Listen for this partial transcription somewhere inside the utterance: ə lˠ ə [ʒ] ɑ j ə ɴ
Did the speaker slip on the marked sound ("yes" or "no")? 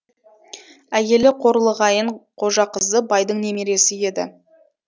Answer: yes